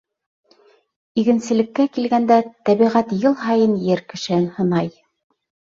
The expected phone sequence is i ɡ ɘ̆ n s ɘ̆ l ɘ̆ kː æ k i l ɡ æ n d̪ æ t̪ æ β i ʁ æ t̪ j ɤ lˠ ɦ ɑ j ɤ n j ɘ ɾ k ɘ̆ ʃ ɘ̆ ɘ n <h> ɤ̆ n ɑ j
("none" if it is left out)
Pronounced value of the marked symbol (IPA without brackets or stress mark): h